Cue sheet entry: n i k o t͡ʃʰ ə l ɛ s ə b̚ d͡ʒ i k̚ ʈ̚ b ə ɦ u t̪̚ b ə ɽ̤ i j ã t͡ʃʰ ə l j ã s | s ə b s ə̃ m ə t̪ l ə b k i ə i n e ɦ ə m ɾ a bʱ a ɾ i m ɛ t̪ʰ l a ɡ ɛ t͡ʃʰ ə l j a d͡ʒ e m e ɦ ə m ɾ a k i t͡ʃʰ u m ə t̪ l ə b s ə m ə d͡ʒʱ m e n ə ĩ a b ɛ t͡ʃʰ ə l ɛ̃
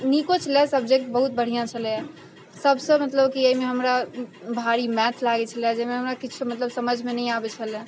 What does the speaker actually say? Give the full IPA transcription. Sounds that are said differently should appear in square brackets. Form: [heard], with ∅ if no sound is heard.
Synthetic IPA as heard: n i k o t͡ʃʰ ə l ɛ s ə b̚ d͡ʒ [e] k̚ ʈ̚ b ə ɦ u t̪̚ b ə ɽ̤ i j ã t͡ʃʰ ə l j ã [∅] | s ə b s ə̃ m ə t̪ l ə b k i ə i [m] e ɦ ə m ɾ a bʱ a ɾ i m ɛ t̪ʰ l a ɡ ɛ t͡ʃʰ ə l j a d͡ʒ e m e ɦ ə m ɾ a k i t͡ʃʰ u m ə t̪ l ə b s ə m ə d͡ʒʱ m e n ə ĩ a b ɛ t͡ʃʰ ə l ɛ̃